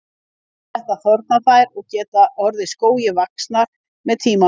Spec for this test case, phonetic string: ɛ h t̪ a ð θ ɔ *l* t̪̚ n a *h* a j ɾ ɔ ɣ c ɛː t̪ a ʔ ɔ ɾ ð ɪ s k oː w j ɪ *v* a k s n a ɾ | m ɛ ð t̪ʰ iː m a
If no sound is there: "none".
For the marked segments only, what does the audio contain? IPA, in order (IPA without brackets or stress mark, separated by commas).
ɾ, θ, v